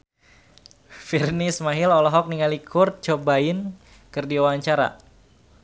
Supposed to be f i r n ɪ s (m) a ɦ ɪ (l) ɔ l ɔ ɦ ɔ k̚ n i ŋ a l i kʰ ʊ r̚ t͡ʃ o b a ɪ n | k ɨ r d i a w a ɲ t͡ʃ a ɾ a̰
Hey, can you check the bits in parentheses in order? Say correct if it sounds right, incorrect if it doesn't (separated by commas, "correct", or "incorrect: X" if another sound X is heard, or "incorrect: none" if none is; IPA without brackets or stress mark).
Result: correct, correct